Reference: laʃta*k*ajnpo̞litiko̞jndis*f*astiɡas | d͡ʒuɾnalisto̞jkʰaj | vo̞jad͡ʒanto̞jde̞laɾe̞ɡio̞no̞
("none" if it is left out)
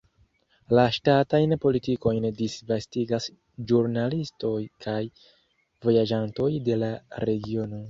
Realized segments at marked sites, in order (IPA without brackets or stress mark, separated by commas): t, v